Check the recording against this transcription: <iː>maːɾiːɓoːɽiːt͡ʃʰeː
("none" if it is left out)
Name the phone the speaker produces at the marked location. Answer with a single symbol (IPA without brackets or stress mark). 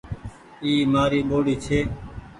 iː